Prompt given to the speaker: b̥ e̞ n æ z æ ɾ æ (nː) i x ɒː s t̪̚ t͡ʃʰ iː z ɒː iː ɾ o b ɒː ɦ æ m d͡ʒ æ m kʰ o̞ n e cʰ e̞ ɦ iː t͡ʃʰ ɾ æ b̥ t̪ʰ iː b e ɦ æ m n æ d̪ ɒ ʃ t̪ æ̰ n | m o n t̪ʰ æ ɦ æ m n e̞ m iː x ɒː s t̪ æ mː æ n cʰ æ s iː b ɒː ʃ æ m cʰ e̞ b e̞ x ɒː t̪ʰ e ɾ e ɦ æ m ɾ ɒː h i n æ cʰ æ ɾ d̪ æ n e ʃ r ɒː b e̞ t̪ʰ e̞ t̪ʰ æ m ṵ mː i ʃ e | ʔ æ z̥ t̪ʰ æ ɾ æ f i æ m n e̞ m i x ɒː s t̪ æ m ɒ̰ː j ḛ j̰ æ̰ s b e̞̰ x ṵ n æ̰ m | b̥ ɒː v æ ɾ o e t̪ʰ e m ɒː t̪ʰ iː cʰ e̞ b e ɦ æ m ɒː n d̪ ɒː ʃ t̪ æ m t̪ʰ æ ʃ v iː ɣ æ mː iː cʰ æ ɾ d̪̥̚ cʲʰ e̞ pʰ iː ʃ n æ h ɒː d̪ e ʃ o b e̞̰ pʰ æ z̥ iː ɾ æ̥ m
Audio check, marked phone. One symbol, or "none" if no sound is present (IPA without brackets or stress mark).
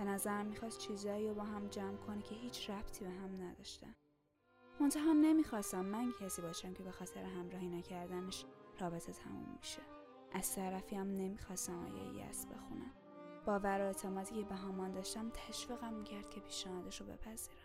mː